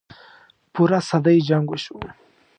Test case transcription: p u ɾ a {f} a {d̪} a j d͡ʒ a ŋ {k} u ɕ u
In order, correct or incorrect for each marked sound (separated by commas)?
incorrect, correct, incorrect